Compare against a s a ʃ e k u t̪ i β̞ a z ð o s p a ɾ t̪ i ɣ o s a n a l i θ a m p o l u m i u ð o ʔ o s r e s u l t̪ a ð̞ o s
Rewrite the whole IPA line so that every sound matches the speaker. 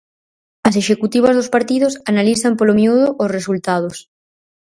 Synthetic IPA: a s e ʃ e k u t̪ i β̞ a z ð o s p a ɾ t̪ i ð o s a n a l i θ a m p o l o m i u ð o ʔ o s r e s u l t̪ a ð̞ o s